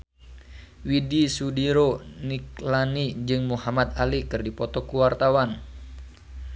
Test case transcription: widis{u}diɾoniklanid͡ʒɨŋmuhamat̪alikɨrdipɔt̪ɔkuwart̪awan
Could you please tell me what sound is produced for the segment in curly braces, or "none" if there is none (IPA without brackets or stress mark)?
u